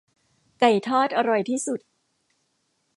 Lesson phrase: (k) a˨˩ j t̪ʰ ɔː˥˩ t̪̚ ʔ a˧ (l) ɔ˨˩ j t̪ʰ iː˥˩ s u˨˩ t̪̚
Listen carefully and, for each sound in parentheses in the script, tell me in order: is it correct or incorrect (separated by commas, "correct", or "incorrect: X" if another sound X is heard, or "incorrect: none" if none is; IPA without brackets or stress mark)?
correct, incorrect: ɾ